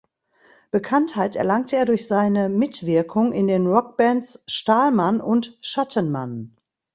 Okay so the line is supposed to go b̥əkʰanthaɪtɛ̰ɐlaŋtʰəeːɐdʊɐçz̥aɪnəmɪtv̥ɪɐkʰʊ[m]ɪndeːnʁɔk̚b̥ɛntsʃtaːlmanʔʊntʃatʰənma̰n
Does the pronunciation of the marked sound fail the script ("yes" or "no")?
yes